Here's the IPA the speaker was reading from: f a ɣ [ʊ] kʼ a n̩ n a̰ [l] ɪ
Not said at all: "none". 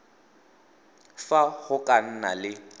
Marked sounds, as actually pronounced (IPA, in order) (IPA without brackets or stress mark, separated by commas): ʊ, l